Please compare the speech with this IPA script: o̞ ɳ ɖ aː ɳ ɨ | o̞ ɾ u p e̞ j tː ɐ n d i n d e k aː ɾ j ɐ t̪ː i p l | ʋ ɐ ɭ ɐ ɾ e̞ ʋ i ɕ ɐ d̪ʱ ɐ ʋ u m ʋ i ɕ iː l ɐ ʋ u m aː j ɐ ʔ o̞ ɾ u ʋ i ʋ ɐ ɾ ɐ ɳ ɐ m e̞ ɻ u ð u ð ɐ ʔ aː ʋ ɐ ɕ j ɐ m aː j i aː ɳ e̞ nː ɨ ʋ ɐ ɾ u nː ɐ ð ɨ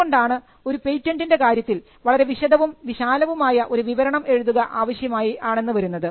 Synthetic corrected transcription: o̞ ɳ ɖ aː ɳ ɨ | o̞ ɾ u p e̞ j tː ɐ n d i n d e k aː ɾ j ɐ t̪ː i l | ʋ ɐ ɭ ɐ ɾ e̞ ʋ i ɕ ɐ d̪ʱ ɐ ʋ u m ʋ i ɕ aː l ɐ ʋ u m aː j ɐ ʔ o̞ ɾ u ʋ i ʋ ɐ ɾ ɐ ɳ ɐ m e̞ ɻ u ð u ɣ ɐ ʔ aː ʋ ɐ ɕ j ɐ m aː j i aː ɳ e̞ nː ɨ ʋ ɐ ɾ u nː ɐ ð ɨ

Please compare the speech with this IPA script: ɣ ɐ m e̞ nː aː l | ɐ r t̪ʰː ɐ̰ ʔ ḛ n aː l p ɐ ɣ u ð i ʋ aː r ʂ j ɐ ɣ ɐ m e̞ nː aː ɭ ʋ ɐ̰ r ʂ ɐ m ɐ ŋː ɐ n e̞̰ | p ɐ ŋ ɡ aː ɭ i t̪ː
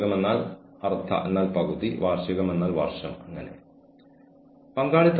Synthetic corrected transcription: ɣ ɐ m e̞ nː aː l | ɐ r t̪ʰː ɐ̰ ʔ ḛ nː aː l p ɐ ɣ u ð i ʋ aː r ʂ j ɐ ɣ ɐ m e̞ nː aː l ʋ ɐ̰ r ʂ ɐ m ɐ ŋː ɐ n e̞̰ | p ɐ ŋ ɡ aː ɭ i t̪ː

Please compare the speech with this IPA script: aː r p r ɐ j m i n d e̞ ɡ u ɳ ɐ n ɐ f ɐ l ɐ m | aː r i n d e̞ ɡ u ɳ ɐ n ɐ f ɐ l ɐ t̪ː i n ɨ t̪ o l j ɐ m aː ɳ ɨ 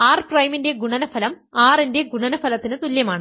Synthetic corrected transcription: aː r p r ɐ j m i n d e̞ ɡ u ɳ ɐ n ɐ f ɐ l ɐ m | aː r i n d e̞ ɡ u ɳ ɐ n ɐ f ɐ l ɐ t̪ː i n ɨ t̪ u l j ɐ m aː ɳ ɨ

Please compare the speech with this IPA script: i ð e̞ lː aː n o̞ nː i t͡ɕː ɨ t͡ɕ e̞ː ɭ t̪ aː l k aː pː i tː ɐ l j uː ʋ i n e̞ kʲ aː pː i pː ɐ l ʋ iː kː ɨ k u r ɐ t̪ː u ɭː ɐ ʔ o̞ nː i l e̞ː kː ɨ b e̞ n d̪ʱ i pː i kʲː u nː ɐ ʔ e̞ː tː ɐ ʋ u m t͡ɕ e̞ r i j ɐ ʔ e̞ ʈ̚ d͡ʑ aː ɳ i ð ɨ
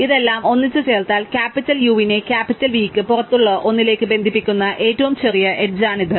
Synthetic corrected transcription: i ð e̞ lː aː m o̞ nː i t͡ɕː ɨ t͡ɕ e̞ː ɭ t̪ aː l k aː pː i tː ɐ l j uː ʋ i n e̞ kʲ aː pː i tː ɐ l ʋ iː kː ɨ p u r ɐ t̪ː u ɭː ɐ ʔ o̞ nː i l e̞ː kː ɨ b e̞ n d̪ʱ i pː i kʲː u nː ɐ ʔ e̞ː tː ɐ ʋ u m t͡ɕ e̞ r i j ɐ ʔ e̞ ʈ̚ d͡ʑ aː ɳ i ð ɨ

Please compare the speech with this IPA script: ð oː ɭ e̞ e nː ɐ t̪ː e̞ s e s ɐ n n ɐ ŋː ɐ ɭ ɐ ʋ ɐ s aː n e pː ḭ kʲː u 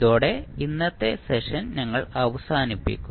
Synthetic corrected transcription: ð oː ɽ e̞ i nː ɐ t̪ː e̞ s e ʂ ɐ n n ɐ ŋː ɐ ɭ ɐ ʋ ɐ s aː n i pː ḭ kʲː u

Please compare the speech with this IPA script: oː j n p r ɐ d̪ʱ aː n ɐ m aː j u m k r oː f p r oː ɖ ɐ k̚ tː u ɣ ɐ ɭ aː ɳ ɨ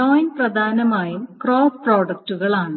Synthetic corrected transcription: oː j n p r ɐ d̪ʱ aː n ɐ m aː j u m k r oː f p r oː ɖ ɐ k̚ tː u ɣ ɐ ɭ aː ɳ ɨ

